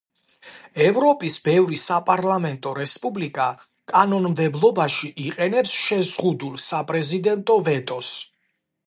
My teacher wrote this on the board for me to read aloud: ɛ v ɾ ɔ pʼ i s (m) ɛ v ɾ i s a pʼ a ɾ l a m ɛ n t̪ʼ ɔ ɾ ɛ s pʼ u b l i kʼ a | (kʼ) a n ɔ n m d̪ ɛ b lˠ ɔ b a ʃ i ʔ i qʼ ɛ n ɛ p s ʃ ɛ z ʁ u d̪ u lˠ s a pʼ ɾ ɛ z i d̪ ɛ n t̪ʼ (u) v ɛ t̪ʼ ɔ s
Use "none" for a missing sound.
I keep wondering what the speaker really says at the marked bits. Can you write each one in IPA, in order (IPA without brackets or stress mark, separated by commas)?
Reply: b, kʼ, ɔ